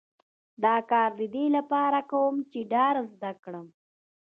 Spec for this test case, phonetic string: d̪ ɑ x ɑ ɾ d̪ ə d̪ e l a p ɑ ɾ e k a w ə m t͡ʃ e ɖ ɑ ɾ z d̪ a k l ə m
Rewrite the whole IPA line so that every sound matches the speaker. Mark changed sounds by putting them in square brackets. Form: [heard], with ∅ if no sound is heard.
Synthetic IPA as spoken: d̪ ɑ [k] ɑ ɾ d̪ ə d̪ e l a p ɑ ɾ [a] k a w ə m t͡ʃ e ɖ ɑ ɾ z d̪ a k [ɽ] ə m